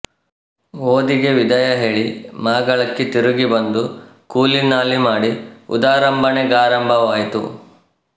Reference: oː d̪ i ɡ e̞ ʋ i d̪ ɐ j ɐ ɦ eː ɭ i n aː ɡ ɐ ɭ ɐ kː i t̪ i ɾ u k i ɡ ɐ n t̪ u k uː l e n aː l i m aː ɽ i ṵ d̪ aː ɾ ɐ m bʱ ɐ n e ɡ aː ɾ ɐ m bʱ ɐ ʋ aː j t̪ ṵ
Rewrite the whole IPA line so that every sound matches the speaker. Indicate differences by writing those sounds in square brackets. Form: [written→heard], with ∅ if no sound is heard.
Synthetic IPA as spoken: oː d̪ i ɡ e̞ ʋ i d̪ ɐ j ɐ ɦ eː ɭ i [n→m] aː ɡ ɐ ɭ ɐ kː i t̪ i ɾ u [k→ɡ] i [ɡ→b] ɐ n [t̪→d̪] u k uː l [e→i] n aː l i m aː ɽ i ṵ d̪ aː ɾ ɐ m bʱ ɐ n e ɡ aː ɾ ɐ m bʱ ɐ ʋ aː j t̪ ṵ